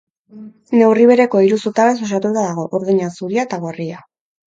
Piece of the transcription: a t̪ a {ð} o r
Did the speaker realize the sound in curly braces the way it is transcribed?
no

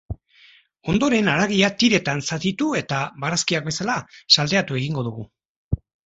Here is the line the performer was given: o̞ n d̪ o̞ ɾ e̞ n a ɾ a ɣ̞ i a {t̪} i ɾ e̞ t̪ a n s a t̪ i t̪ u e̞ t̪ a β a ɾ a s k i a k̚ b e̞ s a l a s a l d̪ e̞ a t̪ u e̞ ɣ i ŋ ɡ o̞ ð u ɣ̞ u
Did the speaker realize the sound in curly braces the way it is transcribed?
yes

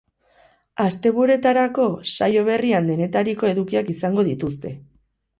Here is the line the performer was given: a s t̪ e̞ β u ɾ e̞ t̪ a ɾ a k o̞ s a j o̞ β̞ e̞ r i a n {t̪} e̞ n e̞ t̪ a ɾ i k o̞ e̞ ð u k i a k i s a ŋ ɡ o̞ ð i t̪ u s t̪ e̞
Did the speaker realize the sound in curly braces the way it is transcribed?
no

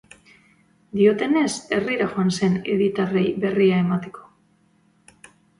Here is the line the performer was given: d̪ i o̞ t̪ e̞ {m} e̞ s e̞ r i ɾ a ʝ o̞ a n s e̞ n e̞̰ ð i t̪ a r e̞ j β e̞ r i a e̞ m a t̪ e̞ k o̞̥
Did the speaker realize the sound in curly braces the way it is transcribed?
no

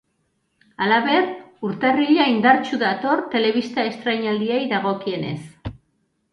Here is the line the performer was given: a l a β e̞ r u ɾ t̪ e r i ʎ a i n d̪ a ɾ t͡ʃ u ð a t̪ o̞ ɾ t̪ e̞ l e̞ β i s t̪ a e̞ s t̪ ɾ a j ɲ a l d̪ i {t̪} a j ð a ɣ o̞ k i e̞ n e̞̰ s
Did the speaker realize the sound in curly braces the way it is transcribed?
no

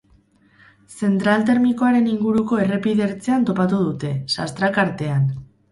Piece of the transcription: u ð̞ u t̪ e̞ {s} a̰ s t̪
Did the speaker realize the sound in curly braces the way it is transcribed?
yes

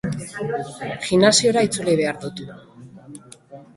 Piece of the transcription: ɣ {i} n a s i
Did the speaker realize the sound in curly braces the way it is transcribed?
yes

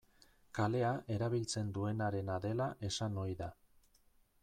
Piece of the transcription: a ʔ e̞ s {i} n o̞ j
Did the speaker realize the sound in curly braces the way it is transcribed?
no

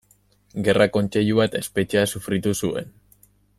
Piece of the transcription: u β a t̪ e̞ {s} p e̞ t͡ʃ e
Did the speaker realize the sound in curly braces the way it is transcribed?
yes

